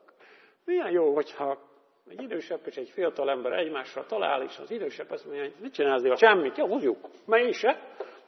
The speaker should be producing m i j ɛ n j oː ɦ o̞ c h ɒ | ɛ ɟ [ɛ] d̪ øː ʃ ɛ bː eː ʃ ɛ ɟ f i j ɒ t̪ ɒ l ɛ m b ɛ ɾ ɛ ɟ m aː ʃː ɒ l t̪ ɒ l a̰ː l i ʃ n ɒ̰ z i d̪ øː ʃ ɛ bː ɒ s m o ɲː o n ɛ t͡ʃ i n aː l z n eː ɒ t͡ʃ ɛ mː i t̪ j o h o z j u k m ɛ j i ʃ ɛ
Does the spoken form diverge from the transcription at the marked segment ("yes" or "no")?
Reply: yes